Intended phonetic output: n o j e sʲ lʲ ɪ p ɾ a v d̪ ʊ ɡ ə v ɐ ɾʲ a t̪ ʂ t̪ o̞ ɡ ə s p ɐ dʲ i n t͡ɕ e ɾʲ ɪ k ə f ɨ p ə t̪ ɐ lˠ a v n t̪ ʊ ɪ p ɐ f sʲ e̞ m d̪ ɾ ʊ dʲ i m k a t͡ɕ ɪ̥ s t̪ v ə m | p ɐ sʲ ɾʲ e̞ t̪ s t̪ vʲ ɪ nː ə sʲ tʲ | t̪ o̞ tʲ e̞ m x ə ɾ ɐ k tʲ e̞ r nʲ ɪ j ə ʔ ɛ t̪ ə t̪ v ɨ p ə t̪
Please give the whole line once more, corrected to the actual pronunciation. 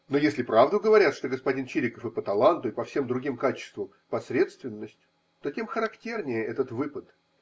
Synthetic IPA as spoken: n o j e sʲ lʲ ɪ p ɾ a v d̪ ʊ ɡ ə v ɐ ɾʲ a t̪ ʂ t̪ o̞ ɡ ə s p ɐ dʲ i n t͡ɕ i ɾʲ ɪ k ə f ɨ p ə t̪ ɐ lˠ a n t̪ ʊ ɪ p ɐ f sʲ e̞ m d̪ ɾ ʊ ɡʲ i m k a t͡ɕ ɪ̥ s t̪ v ə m | p ɐ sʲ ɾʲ e̞ t̪ s t̪ vʲ ɪ nː ə sʲ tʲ | t̪ o̞ tʲ e̞ m x ə ɾ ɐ k tʲ e̞ r nʲ ɪ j ə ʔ ɛ t̪ ə t̪ v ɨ p ə t̪